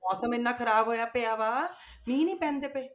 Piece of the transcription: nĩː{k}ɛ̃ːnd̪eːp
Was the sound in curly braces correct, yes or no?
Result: no